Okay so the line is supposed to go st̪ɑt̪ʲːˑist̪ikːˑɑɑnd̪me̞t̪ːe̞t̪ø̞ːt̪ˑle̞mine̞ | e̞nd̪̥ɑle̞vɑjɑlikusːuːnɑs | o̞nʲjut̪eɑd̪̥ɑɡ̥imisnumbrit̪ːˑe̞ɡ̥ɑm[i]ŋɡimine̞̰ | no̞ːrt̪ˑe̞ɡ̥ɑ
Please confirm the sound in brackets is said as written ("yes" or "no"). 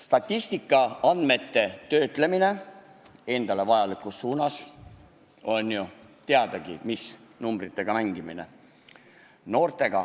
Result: no